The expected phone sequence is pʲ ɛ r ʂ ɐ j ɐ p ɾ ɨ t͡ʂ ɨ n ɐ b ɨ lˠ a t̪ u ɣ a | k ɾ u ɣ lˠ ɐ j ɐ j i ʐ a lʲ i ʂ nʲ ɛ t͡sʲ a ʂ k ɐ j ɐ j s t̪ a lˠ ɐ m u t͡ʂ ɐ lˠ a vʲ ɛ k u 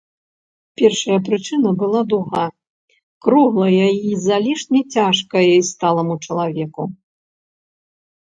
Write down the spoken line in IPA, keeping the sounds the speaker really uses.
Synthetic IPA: pʲ ɛ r ʂ ɐ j ɐ p ɾ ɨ t͡ʂ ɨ n ɐ b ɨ lˠ a d̪ u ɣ a | k ɾ u ɣ lˠ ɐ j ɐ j i z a lʲ i ʂ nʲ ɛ t͡sʲ a ʂ k ɐ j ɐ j s t̪ a lˠ ɐ m u t͡ʂ ɐ lˠ a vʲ ɛ k u

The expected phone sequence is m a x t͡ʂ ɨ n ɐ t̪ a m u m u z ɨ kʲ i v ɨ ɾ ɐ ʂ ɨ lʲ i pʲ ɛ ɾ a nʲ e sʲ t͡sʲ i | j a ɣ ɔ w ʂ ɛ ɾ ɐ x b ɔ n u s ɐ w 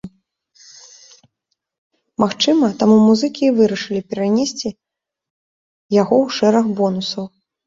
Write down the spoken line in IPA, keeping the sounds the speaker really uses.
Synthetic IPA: m a x t͡ʂ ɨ m ɐ t̪ a m u m u z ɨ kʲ i v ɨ ɾ ɐ ʂ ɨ lʲ i pʲ ɛ ɾ a nʲ e sʲ t͡sʲ i | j a ɣ ɔ w ʂ ɛ ɾ ɐ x b ɔ n u s ɐ w

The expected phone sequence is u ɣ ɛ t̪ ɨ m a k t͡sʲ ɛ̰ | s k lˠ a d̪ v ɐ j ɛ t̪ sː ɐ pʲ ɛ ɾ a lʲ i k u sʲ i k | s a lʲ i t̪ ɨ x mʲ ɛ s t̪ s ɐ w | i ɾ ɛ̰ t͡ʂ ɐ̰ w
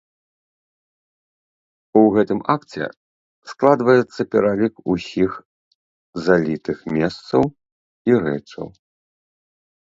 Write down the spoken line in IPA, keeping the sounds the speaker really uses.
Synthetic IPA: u ɣ ɛ t̪ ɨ m a k t͡sʲ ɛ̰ | s k lˠ a d̪ v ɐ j ɛ t̪ sː ɐ pʲ ɛ ɾ a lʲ i k u sʲ i x | z a lʲ i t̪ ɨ x mʲ ɛ s t̪ s ɐ w | i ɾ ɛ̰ t͡ʂ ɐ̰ w

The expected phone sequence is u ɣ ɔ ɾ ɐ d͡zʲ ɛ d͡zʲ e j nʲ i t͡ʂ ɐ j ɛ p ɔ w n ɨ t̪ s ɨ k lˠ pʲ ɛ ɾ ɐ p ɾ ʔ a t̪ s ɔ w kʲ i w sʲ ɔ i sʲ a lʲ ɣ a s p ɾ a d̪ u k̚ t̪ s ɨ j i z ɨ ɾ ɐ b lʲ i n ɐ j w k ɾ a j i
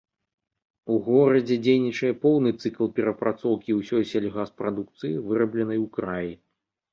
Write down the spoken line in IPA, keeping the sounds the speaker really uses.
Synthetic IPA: u ɣ ɔ ɾ ɐ d͡zʲ ɛ d͡zʲ e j nʲ i t͡ʂ ɐ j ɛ p ɔ w n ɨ t̪ s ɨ k lˠ pʲ ɛ ɾ ɐ p ɾ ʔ a t̪ s ɔ w kʲ i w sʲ ɔ j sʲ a lʲ ɣ a s p ɾ a d̪ u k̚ t̪ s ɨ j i v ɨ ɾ ɐ b lʲ ɛ n ɐ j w k ɾ a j i

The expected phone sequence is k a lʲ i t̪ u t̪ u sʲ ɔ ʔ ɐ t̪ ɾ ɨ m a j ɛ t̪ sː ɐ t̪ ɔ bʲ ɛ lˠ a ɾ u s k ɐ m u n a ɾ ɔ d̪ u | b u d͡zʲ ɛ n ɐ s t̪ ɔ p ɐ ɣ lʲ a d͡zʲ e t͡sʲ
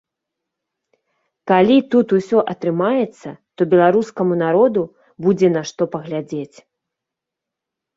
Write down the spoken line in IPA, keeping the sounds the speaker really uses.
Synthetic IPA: k a lʲ i t̪ u t̪ u sʲ ɔ ʔ ɐ t̪ ɾ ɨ m a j ɛ t̪ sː ɐ t̪ ɔ bʲ ɛ lˠ a ɾ u s k ɐ m u n a ɾ ɔ d̪ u | b u d͡zʲ ɛ n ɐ ʂ t̪ ɔ p ɐ ɣ lʲ a d͡zʲ e t͡sʲ

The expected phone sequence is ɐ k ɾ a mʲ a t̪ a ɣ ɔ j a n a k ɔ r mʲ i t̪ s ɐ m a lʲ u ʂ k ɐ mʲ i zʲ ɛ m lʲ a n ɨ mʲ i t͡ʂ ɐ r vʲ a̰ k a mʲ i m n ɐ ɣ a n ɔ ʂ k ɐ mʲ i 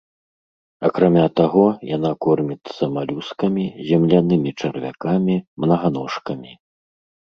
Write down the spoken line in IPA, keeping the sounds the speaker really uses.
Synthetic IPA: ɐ k ɾ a mʲ a t̪ a ɣ ɔ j a n a k ɔ r mʲ i t̪ s ɐ m a lʲ u s k ɐ mʲ i zʲ ɛ m lʲ a n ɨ mʲ i t͡ʂ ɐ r vʲ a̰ k a mʲ i m n ɐ ɣ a n ɔ ʂ k ɐ mʲ i

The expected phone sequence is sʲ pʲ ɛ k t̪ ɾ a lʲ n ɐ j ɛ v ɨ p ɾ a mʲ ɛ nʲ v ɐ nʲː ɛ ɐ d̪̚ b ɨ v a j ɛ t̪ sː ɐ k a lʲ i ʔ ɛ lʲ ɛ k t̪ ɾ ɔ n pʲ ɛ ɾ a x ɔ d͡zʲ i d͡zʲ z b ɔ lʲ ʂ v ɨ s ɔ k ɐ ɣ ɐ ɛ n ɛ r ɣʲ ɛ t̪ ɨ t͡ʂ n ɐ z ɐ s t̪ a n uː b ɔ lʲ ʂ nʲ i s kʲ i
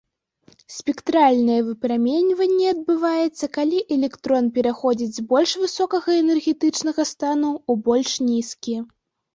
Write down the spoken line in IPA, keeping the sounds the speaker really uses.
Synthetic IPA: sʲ pʲ ɛ k t̪ ɾ a lʲ n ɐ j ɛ v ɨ p ɾ a mʲ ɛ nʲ v ɐ nʲː ɛ ɐ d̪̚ b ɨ v a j ɛ t̪ sː ɐ k a lʲ i ʔ ɛ lʲ ɛ k t̪ ɾ ɔ n pʲ ɛ ɾ a x ɔ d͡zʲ i d͡zʲ z b ɔ lʲ ʂ v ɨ s ɔ k ɐ ɣ ɐ ɛ n ɛ r ɣʲ ɛ t̪ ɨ t͡ʂ n ɐ ɣ ɐ s t̪ a n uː b ɔ lʲ ʂ nʲ i s kʲ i

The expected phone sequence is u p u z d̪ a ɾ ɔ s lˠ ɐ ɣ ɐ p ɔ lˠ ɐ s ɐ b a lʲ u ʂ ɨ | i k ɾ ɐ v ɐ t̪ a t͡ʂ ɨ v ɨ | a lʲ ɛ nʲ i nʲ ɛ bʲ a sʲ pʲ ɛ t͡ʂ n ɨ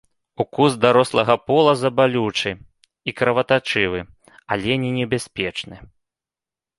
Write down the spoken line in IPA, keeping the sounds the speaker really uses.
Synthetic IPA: u k u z d̪ a ɾ ɔ s lˠ ɐ ɣ ɐ p ɔ lˠ ɐ z ɐ b a lʲ u t͡ʂ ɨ | i k ɾ ɐ v ɐ t̪ a t͡ʂ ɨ v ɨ | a lʲ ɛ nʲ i nʲ ɛ bʲ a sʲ pʲ ɛ t͡ʂ n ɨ

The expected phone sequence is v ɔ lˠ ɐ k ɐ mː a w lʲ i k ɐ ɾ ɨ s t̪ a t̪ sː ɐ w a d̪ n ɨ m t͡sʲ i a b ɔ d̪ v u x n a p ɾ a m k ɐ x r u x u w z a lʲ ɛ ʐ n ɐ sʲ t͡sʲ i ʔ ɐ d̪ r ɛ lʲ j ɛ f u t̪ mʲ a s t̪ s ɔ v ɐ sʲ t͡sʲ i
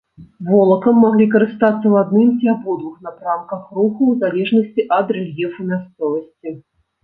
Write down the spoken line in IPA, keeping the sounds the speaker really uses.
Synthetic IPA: v ɔ lˠ ɐ k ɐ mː a ɣ lʲ i k ɐ ɾ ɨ s t̪ a t̪ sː ɐ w a d̪ n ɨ m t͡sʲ i a b ɔ d̪ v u x n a p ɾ a m k ɐ x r u x u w z a lʲ ɛ ʐ n ɐ sʲ t͡sʲ i ʔ ɐ d̪ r ɛ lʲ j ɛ f u mʲ a s t̪ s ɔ v ɐ sʲ t͡sʲ i

